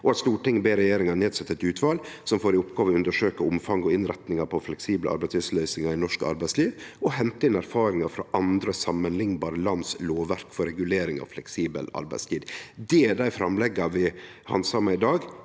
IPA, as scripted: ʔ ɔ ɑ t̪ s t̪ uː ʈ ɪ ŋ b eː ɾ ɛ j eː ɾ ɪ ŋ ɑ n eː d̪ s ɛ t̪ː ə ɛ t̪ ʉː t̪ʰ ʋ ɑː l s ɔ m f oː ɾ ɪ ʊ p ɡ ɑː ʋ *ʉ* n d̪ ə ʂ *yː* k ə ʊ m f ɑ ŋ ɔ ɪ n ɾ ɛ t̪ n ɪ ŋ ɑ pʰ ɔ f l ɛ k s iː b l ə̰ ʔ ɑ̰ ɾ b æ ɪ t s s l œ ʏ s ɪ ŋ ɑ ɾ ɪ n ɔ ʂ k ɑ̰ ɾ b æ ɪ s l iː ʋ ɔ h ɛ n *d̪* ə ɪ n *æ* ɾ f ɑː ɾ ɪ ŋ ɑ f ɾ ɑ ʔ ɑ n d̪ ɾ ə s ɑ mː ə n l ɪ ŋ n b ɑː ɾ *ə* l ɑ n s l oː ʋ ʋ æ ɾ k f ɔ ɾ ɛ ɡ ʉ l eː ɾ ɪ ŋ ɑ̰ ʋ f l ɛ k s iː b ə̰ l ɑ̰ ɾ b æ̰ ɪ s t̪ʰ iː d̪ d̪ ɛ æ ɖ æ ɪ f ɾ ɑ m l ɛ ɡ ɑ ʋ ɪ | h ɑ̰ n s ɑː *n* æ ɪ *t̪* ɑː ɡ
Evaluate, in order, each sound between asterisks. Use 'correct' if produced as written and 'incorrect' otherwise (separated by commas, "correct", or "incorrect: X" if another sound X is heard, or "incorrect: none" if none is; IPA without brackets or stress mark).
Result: correct, incorrect: øː, incorrect: t̪, correct, correct, incorrect: m, incorrect: d̪